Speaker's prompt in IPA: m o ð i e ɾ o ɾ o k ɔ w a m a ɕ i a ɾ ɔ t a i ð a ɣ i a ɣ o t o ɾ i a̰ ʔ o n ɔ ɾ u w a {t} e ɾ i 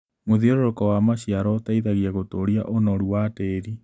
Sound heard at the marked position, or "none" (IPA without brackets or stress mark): t